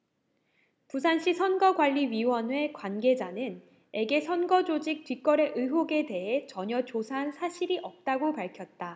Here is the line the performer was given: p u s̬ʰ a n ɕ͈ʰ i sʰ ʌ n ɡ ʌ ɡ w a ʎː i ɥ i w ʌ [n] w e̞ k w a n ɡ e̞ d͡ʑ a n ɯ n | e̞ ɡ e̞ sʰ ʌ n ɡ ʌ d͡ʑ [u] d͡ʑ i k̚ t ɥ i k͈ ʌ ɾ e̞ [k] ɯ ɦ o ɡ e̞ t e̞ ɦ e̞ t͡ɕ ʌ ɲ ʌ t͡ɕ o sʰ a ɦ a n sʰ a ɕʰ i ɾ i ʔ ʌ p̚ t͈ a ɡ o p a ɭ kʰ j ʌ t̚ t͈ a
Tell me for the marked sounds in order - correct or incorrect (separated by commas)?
correct, incorrect, incorrect